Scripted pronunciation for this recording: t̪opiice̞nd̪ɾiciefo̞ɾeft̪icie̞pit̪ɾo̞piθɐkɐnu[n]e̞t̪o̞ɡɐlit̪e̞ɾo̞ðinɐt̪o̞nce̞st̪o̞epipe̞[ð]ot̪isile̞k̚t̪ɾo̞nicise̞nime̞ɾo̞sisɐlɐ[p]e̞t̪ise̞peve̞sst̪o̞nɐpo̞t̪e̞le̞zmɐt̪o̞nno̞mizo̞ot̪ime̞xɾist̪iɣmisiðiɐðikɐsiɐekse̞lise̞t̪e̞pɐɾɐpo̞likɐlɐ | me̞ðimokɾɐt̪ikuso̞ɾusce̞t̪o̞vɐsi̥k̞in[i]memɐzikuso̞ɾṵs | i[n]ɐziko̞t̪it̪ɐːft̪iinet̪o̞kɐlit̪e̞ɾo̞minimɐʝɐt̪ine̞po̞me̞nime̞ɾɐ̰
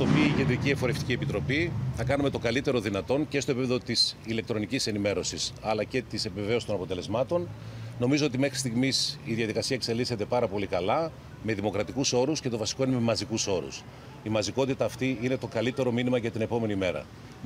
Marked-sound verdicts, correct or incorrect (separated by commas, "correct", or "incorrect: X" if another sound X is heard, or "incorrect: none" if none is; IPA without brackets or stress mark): incorrect: m, correct, incorrect: c, incorrect: e, incorrect: m